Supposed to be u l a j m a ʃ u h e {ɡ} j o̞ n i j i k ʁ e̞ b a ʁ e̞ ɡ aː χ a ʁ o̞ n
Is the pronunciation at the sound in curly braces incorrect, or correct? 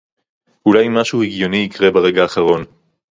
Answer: correct